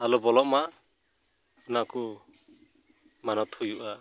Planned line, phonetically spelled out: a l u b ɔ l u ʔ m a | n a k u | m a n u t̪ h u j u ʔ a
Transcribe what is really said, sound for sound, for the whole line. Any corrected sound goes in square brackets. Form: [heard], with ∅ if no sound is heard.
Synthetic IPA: a l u b ɔ l [ɔ] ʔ m a | n a k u | m a n [ɔ] t̪ h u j u ʔ a